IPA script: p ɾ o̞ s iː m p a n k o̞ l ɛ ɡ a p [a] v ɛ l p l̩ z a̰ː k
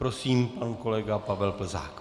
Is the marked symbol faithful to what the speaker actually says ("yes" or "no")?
yes